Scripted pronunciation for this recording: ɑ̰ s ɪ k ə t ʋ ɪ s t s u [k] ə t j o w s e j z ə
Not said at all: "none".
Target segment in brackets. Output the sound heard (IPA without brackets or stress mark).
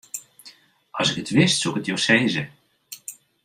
k